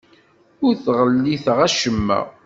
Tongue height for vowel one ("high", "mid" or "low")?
high